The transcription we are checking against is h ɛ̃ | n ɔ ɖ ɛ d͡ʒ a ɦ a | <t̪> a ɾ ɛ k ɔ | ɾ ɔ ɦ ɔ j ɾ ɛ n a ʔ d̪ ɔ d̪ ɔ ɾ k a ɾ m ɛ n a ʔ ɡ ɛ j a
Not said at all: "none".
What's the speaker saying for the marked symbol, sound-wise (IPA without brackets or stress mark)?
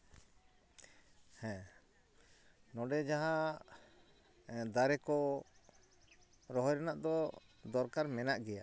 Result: d̪